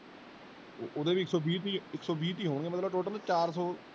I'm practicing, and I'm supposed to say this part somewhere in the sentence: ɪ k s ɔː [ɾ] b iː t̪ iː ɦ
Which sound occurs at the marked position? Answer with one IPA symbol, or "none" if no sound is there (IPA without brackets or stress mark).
none